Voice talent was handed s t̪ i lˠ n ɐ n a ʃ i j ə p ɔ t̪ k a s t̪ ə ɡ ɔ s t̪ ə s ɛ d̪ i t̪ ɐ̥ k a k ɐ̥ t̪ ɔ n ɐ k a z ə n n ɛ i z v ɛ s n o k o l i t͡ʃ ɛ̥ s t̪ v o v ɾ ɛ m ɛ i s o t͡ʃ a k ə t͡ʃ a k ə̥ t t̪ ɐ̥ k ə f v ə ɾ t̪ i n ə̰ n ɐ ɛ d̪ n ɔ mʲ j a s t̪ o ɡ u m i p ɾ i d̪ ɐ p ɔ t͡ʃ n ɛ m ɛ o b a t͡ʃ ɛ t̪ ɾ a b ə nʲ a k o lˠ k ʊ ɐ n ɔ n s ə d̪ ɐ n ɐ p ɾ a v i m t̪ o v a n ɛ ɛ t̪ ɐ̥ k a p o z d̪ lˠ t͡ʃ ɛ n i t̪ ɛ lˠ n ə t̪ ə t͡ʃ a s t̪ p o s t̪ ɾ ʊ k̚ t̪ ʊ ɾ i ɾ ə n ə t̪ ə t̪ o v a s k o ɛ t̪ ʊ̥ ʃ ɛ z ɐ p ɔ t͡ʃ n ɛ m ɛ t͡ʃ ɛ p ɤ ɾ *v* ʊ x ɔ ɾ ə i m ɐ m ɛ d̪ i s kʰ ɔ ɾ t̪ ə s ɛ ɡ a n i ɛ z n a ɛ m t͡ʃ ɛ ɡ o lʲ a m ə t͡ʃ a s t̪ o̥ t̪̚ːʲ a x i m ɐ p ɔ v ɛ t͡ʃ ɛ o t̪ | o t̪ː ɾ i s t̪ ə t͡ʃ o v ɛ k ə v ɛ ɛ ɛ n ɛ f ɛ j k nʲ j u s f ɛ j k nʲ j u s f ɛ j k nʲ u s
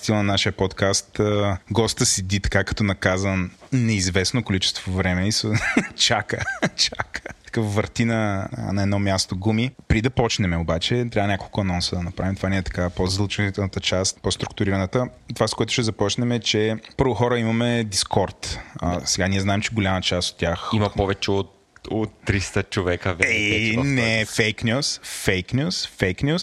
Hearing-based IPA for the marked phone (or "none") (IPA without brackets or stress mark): v